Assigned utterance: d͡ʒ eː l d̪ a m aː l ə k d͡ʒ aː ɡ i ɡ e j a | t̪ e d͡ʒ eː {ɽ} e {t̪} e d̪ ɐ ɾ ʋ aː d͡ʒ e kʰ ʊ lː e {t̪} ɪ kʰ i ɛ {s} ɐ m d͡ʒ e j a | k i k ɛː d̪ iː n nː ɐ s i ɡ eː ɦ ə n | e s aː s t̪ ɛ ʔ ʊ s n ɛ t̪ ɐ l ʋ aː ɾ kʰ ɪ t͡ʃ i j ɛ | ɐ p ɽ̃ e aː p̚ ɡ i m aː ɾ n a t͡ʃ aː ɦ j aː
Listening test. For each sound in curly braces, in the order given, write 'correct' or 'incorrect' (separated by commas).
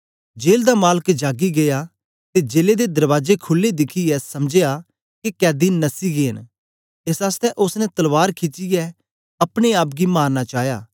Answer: incorrect, incorrect, incorrect, correct